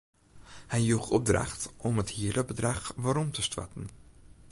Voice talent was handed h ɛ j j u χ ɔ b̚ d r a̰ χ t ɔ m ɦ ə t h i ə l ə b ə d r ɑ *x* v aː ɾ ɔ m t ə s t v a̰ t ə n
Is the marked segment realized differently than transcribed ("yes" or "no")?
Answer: yes